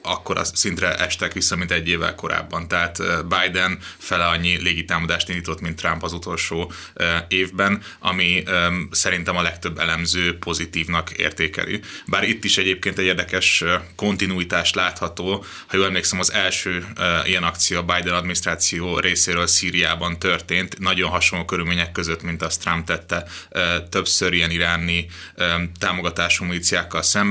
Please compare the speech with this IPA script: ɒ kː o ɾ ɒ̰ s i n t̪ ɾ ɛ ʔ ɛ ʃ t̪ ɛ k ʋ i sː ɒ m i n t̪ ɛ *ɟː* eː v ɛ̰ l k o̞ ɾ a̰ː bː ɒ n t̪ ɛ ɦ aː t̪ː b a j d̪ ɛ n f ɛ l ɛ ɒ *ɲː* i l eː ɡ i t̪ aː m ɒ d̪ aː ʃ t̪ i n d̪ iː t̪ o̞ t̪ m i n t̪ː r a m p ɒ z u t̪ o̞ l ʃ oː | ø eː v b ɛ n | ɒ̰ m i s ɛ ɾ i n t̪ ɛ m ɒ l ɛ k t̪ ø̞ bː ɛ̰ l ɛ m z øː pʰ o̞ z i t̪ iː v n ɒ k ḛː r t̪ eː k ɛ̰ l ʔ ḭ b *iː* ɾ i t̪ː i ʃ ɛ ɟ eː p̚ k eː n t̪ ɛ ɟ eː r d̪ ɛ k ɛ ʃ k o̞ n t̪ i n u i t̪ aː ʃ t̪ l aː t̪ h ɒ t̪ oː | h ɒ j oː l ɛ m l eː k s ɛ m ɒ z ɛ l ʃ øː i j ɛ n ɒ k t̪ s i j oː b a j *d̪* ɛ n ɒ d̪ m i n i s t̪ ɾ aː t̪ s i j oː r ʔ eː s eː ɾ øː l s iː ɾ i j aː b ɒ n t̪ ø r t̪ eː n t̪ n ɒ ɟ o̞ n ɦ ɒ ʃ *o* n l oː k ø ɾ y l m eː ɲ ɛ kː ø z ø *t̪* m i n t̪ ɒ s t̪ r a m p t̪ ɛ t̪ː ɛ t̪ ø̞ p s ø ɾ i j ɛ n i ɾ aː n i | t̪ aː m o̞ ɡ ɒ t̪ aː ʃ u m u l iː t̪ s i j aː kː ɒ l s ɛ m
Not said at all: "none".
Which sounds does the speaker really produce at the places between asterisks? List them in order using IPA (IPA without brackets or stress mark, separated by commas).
ɟː, ɲː, aː, d̪, o, t̪